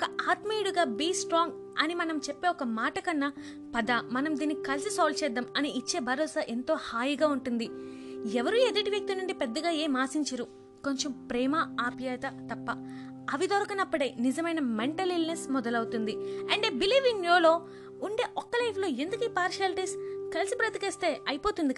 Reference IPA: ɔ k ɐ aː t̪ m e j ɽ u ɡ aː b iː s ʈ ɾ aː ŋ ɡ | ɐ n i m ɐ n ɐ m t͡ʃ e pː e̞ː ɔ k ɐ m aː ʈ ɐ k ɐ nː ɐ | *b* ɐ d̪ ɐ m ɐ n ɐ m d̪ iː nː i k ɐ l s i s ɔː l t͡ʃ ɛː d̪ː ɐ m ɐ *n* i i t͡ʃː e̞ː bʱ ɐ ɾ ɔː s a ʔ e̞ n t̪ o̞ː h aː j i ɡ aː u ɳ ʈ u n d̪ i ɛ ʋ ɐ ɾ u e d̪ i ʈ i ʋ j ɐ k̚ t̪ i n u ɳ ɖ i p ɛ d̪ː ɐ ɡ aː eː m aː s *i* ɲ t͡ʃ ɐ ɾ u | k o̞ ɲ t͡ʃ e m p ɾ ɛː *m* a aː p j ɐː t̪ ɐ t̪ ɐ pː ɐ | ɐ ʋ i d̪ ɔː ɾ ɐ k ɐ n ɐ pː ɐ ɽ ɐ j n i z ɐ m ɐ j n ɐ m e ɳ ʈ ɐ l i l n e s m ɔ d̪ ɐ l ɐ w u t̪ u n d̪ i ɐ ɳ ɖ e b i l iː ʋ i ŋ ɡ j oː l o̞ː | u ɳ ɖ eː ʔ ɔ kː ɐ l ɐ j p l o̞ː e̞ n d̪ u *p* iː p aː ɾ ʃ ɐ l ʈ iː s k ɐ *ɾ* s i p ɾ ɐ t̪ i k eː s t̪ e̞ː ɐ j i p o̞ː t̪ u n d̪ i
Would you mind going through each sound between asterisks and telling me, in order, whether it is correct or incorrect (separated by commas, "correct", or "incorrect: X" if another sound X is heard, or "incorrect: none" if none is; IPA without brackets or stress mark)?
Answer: incorrect: p, correct, correct, correct, incorrect: k, incorrect: l